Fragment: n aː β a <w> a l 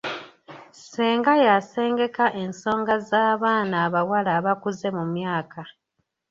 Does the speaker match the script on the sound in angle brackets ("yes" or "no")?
yes